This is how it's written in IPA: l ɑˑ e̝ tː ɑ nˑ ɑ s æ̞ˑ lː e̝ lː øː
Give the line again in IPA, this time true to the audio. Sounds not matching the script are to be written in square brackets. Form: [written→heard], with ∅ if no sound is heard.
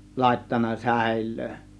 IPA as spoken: l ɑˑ e̝ tː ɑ nˑ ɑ s æ̞ˑ [lː→∅] e̝ lː øː